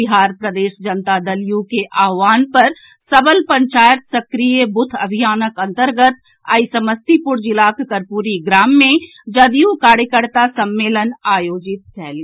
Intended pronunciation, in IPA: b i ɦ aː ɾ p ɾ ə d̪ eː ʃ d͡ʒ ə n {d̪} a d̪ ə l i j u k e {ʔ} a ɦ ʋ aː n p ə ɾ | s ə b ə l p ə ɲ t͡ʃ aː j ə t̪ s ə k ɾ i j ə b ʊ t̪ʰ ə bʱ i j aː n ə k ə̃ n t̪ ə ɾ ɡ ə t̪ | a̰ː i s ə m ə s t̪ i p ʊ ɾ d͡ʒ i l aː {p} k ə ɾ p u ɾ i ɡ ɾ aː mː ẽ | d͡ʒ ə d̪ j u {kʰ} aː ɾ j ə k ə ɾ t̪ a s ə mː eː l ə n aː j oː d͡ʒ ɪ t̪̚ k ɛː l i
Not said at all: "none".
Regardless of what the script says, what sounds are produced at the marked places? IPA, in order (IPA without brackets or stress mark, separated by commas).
t̪, ʔ, k, k